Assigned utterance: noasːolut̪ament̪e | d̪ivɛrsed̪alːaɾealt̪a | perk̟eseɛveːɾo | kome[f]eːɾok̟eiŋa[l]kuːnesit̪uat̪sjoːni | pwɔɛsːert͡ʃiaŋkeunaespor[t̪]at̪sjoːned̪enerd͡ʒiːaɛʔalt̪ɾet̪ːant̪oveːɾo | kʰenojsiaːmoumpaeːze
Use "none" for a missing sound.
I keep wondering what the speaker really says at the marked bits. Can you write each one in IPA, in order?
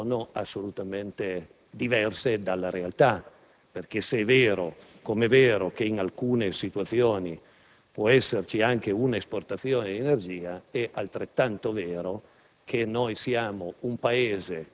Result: v, l, t̪

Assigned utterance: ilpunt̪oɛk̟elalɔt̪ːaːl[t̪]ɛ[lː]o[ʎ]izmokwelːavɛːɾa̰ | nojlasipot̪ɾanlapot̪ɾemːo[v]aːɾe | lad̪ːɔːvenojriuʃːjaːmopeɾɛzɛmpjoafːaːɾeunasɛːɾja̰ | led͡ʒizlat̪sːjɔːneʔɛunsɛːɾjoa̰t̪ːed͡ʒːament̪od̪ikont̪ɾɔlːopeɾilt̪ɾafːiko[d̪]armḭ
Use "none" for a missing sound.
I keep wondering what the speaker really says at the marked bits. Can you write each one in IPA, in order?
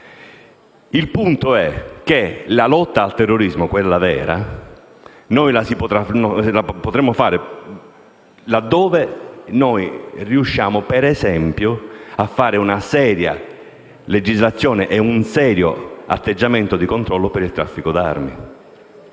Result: t̪, rː, ɾ, f, d̪

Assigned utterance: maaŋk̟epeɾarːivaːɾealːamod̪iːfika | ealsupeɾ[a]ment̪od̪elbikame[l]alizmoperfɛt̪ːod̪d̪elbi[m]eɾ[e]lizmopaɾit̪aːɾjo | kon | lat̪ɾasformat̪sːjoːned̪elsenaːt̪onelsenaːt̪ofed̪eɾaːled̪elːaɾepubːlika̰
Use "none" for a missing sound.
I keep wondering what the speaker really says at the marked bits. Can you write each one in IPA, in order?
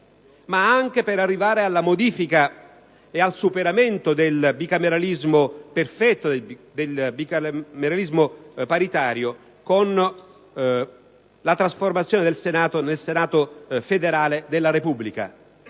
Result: a, ɾ, m, a

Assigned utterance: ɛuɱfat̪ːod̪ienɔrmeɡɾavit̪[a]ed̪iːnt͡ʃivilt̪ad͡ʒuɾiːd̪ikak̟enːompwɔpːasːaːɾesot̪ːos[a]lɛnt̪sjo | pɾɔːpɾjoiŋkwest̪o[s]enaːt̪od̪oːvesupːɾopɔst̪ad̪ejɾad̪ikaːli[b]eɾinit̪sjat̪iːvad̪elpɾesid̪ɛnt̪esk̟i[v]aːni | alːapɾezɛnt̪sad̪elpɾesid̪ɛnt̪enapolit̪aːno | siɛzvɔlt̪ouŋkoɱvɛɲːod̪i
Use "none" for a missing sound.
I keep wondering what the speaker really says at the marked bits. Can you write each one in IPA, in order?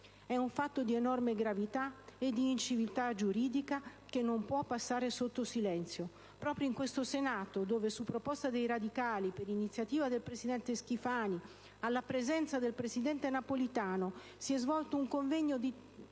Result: a, i, s, p, f

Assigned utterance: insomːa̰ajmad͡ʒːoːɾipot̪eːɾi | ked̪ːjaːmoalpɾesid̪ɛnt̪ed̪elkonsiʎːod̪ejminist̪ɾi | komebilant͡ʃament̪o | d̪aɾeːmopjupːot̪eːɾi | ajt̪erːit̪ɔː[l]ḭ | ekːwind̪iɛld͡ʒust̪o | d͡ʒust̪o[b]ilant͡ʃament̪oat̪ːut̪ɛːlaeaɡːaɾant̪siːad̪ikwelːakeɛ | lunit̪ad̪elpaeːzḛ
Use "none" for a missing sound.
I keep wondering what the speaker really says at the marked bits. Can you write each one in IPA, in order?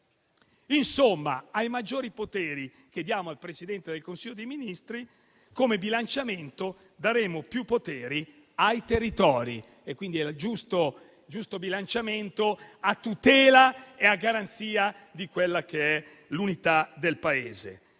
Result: ɾ, b

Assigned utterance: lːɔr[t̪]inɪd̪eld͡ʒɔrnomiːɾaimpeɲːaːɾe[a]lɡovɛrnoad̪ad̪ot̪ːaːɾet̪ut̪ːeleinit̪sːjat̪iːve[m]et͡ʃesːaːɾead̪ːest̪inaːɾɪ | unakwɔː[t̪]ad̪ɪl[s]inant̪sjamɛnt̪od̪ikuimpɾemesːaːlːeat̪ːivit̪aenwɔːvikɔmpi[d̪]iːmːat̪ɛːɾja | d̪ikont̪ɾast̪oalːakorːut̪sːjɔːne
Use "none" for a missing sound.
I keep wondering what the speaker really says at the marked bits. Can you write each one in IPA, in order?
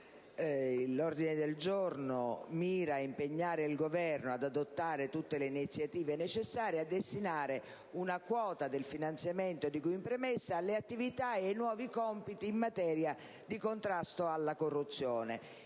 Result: d̪, i, n, t̪, f, t̪

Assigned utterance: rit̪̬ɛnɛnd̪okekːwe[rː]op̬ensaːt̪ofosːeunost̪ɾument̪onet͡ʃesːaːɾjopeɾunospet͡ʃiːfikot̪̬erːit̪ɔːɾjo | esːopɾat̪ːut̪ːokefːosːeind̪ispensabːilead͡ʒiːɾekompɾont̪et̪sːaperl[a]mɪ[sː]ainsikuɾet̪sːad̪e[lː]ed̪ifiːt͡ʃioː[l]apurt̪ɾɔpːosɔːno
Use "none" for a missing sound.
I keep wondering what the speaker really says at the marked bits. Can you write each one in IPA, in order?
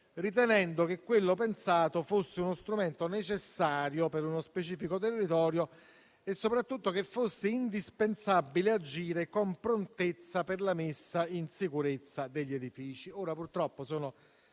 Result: lː, a, sː, ʎː, ɾ

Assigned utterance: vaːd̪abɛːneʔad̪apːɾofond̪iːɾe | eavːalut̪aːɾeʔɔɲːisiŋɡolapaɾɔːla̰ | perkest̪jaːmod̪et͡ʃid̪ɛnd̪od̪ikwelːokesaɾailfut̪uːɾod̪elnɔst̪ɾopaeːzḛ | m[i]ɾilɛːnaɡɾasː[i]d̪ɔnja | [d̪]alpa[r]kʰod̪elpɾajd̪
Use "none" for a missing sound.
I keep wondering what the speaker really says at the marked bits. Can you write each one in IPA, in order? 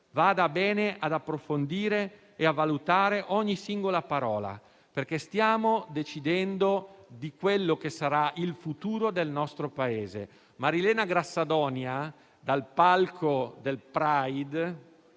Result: a, a, d̪, l

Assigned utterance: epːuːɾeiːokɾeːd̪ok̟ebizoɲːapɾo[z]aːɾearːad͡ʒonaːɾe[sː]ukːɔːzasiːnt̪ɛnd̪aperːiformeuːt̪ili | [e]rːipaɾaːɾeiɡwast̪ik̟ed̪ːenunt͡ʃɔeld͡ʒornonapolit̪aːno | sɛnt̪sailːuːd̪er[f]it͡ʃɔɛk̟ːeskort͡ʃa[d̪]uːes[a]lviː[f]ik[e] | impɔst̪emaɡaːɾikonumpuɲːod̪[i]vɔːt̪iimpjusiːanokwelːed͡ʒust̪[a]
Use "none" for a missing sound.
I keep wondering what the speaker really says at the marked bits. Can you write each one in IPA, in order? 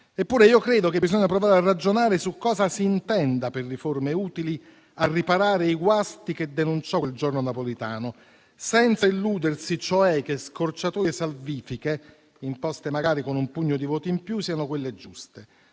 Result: v, s, a, s, t̪, a, f, e, i, e

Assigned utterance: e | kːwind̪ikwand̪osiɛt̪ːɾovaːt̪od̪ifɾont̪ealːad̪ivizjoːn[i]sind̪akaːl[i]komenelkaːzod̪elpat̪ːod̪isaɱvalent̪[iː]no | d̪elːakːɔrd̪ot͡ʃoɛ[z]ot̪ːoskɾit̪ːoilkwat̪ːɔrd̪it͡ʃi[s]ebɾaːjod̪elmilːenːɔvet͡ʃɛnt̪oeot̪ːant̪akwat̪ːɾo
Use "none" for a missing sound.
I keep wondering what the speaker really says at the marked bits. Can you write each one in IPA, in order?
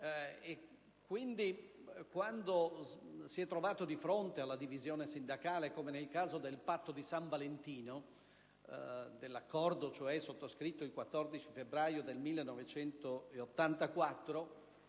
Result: e, e, iː, s, f

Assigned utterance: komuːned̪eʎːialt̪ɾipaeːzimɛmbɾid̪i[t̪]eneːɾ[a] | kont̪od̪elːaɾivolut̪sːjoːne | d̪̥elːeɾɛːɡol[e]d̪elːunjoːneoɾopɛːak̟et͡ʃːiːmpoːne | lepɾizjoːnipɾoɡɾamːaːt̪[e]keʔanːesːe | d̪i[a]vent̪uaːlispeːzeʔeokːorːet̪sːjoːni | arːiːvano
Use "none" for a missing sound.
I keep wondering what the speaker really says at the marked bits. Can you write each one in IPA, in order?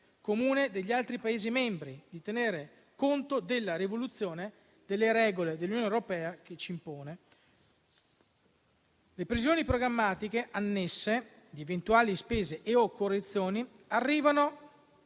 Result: t̪, e, e, i, e

